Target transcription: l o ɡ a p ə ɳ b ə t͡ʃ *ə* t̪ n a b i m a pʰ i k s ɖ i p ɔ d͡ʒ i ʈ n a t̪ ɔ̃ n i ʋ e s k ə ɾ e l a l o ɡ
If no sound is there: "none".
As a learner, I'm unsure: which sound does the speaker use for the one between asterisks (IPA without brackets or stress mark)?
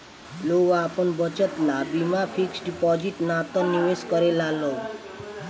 ə